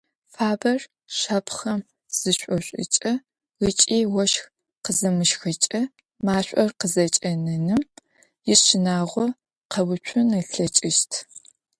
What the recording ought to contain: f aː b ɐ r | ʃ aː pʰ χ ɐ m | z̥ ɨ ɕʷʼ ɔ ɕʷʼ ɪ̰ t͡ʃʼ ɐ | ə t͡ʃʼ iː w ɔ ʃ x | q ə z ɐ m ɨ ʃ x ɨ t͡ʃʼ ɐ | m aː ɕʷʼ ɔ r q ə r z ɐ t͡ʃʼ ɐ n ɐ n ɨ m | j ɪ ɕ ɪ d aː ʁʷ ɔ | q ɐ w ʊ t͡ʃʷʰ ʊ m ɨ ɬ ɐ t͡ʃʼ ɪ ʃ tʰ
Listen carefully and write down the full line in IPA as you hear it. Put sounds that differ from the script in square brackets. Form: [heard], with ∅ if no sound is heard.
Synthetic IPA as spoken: f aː b ɐ r | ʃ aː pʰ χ ɐ m | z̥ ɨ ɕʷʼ ɔ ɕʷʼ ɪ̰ t͡ʃʼ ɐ | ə t͡ʃʼ iː w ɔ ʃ x | q ə z ɐ m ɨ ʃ x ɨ t͡ʃʼ ɐ | m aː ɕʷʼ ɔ r q ə [∅] z ɐ t͡ʃʼ ɐ n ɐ n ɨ m | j ɪ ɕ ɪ [n] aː ʁʷ ɔ | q ɐ w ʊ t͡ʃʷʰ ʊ [n] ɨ ɬ ɐ t͡ʃʼ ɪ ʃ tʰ